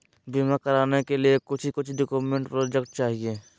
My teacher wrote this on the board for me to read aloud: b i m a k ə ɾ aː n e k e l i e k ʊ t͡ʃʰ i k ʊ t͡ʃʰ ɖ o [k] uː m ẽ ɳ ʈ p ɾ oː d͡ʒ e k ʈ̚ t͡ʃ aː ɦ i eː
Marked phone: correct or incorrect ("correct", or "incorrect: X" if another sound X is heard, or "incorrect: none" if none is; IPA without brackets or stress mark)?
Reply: correct